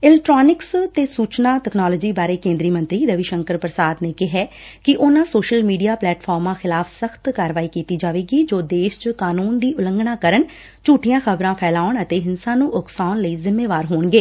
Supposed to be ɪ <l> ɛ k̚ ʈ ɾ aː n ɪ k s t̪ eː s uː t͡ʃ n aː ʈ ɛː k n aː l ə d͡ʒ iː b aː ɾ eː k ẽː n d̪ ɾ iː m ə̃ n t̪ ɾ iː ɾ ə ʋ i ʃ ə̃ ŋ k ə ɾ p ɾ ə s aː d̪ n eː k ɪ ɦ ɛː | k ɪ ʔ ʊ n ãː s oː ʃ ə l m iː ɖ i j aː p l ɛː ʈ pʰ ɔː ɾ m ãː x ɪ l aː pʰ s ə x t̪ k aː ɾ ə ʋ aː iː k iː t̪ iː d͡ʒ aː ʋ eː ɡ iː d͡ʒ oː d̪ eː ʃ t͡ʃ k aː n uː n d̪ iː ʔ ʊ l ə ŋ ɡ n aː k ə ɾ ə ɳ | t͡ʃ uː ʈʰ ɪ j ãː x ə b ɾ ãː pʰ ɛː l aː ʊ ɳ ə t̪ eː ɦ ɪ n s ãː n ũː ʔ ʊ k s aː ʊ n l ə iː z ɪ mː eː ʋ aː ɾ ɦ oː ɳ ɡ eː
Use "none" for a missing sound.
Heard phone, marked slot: l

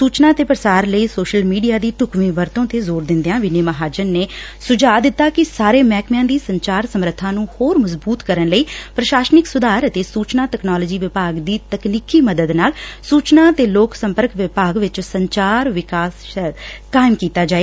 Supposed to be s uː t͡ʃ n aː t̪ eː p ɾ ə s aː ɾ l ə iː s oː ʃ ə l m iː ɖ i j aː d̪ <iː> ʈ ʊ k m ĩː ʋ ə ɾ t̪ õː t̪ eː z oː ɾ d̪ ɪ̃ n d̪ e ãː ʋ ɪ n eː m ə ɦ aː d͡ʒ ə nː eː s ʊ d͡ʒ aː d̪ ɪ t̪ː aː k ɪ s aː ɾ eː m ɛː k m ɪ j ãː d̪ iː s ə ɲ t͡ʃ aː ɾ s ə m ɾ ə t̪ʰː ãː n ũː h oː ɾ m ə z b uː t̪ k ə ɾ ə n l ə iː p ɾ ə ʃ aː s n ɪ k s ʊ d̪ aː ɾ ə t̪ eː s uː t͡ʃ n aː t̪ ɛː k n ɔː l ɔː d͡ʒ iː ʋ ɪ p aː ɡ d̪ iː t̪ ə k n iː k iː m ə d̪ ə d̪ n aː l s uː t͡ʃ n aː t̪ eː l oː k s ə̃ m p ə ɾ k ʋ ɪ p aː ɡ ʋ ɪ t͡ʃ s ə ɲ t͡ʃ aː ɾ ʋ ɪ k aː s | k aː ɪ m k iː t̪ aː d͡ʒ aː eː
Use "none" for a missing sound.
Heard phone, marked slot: iː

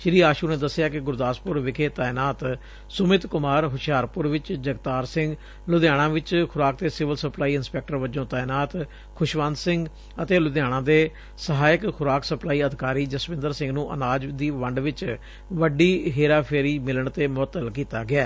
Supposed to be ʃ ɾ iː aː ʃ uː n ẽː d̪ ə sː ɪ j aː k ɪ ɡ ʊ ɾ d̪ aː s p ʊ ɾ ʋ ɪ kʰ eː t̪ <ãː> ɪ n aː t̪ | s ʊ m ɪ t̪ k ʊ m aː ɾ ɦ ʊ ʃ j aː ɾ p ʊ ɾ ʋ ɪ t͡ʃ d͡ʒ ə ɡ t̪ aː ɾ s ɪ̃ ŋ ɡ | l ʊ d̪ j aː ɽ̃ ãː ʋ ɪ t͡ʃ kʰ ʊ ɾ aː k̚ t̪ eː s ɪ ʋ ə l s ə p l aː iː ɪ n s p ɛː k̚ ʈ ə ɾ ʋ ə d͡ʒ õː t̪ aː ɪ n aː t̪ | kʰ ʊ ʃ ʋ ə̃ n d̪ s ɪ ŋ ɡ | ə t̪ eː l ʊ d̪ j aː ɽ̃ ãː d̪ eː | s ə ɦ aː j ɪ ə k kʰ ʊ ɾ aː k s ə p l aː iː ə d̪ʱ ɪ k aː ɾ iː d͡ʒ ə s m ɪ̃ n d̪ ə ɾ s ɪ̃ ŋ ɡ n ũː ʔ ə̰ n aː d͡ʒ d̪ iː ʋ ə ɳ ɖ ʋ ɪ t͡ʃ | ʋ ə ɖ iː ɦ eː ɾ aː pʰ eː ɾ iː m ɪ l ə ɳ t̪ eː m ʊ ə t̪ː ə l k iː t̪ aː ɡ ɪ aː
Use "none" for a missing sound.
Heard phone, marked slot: aː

